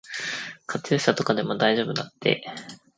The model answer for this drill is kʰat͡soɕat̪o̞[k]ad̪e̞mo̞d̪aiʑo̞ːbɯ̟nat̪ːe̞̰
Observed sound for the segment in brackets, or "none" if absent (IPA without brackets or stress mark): k